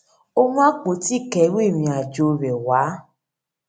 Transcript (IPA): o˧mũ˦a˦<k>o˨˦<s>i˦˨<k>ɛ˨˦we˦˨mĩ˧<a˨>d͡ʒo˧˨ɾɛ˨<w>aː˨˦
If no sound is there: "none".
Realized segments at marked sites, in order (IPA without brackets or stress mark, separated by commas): k͡p, t, k, a˨, w